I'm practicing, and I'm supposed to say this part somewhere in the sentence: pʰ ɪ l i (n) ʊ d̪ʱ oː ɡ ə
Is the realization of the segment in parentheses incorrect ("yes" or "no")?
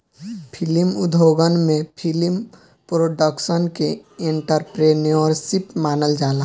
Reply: yes